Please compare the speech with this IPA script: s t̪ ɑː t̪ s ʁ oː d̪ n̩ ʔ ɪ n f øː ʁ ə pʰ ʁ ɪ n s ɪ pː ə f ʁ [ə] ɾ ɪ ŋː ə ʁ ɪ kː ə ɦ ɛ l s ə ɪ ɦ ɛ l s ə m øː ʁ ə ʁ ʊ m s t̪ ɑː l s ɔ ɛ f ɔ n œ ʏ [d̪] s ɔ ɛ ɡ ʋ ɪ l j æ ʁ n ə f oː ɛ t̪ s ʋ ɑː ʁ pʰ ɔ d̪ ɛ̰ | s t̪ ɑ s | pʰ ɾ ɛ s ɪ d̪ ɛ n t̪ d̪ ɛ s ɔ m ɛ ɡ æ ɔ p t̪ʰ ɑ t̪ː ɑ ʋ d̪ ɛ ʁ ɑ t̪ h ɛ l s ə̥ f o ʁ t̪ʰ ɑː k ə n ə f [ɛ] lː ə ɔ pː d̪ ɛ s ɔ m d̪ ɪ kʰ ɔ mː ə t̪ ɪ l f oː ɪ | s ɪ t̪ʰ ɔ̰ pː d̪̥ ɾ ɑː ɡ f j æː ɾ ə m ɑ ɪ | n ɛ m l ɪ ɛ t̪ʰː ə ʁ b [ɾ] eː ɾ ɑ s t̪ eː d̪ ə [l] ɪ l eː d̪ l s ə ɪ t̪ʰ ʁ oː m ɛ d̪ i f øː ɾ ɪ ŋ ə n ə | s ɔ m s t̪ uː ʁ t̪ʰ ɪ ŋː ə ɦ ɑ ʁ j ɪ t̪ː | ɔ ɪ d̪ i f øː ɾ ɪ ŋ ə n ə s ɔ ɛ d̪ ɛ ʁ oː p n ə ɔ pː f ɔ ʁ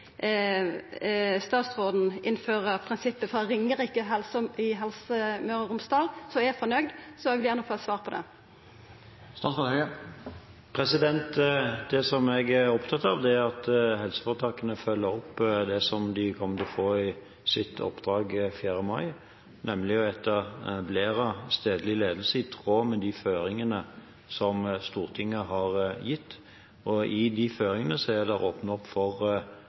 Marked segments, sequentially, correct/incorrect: incorrect: ɑ, correct, incorrect: œ, incorrect: l, correct

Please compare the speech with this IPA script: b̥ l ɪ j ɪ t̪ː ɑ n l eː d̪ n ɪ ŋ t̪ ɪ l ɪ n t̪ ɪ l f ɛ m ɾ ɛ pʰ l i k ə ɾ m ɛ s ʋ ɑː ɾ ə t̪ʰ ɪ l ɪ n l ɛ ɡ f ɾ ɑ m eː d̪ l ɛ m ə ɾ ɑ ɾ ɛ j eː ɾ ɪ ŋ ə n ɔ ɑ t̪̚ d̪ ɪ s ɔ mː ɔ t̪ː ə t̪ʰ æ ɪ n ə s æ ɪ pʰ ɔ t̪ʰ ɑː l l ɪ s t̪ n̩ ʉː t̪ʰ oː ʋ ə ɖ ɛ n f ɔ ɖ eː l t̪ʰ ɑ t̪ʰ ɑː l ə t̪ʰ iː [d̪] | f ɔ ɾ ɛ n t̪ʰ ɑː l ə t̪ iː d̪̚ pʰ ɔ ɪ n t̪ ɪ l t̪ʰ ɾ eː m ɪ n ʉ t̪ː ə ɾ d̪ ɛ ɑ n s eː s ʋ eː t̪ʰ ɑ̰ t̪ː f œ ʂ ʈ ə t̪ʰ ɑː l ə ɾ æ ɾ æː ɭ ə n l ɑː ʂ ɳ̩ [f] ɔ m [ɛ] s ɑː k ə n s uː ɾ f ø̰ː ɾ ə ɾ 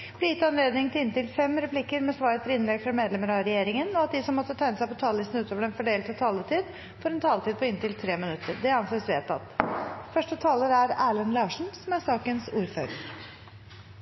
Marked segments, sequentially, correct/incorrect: correct, incorrect: s, incorrect: æ

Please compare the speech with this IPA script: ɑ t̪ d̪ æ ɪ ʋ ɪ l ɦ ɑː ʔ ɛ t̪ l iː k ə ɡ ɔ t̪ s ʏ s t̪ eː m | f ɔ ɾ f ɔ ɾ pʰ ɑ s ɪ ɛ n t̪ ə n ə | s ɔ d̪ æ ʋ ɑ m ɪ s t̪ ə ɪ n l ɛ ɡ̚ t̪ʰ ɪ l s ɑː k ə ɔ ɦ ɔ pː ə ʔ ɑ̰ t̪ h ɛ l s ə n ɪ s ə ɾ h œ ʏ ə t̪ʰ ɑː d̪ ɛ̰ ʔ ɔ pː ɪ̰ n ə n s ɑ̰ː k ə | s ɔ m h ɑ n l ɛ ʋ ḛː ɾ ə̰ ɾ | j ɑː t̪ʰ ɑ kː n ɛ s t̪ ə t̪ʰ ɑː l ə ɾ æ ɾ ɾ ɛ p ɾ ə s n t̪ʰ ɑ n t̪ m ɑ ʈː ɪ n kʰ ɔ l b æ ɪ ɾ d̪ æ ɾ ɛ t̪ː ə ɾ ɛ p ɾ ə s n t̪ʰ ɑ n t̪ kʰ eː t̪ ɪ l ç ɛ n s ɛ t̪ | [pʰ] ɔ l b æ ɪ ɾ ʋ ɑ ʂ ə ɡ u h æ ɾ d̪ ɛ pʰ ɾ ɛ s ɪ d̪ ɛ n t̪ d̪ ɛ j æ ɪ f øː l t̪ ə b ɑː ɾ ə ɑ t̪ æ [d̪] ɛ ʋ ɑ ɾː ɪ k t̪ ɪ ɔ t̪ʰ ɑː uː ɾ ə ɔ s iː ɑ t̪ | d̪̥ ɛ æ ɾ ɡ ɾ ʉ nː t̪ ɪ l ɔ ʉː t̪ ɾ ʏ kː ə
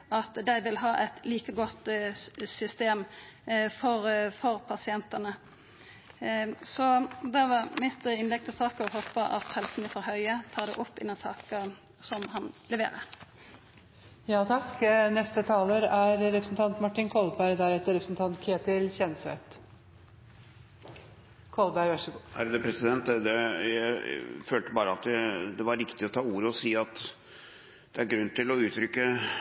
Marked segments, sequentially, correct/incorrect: incorrect: kʰ, correct

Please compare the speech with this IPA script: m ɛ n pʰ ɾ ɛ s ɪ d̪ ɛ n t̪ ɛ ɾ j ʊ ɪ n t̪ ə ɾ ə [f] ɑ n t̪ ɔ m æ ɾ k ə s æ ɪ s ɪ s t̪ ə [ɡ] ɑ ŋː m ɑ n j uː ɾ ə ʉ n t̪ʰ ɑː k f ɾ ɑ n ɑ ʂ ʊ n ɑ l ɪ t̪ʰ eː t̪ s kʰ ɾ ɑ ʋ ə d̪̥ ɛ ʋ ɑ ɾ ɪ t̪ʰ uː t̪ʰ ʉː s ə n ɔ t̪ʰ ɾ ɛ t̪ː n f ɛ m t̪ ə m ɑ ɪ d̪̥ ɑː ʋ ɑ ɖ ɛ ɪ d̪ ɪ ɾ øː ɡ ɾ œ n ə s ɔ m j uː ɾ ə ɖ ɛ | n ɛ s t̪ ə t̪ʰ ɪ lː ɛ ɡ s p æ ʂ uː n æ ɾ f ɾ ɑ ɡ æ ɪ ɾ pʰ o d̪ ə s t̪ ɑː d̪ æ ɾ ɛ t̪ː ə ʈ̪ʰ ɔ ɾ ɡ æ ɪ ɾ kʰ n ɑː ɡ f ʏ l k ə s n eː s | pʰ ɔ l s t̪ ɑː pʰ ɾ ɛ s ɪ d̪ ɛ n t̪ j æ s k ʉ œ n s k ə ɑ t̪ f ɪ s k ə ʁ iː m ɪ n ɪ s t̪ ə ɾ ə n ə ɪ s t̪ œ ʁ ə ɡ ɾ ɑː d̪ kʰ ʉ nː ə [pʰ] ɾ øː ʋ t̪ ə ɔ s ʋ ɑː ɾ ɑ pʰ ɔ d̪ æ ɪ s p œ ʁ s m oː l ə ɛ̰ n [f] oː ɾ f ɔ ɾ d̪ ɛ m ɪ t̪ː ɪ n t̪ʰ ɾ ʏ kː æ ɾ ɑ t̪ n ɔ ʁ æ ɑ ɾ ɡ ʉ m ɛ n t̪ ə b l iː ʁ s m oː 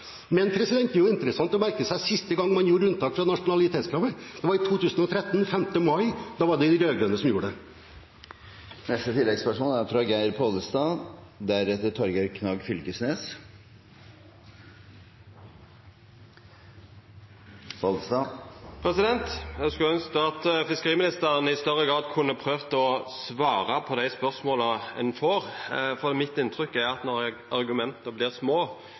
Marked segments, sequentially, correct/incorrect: incorrect: s, correct, correct, correct

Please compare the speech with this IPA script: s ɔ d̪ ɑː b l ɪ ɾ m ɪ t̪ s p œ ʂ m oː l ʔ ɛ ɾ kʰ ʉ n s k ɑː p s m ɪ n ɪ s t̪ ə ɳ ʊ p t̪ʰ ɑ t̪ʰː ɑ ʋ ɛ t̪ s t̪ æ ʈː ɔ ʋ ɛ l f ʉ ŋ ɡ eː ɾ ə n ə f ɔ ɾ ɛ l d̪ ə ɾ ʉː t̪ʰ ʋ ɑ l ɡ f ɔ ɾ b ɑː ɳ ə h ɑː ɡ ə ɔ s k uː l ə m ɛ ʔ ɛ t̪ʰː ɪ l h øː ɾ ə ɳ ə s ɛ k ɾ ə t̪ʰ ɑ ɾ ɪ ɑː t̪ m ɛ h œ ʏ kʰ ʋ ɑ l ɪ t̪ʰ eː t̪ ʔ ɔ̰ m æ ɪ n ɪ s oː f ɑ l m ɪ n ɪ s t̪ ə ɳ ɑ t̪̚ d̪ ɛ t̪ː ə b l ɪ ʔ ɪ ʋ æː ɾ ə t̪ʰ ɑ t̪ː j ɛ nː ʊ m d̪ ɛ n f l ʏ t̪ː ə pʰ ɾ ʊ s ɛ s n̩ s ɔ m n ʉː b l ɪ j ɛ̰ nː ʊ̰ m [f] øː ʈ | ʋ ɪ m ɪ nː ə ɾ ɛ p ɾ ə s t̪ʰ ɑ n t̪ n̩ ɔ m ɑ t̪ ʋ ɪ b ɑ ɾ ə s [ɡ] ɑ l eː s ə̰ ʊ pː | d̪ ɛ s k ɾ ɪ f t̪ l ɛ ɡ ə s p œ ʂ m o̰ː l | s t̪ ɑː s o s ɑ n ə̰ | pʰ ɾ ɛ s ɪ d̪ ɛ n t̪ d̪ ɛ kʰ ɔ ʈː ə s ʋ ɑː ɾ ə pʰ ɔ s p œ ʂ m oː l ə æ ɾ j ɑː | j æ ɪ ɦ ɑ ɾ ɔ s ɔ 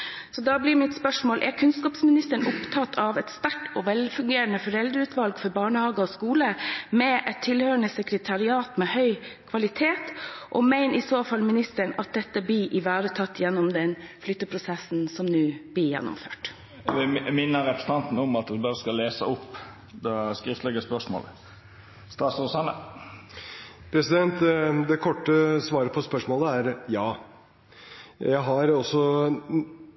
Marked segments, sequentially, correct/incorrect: correct, incorrect: k

